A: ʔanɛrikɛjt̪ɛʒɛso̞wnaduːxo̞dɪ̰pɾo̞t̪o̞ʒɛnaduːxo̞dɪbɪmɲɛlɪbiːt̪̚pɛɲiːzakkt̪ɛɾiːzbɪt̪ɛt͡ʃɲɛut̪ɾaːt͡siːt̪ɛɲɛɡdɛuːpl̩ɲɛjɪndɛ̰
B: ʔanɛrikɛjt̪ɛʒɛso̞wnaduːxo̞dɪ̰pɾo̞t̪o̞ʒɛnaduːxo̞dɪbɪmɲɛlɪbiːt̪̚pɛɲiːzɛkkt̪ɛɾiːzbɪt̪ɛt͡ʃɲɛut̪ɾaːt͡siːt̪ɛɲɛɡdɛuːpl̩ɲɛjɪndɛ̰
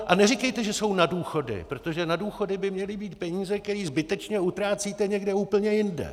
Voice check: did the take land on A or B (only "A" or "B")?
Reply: B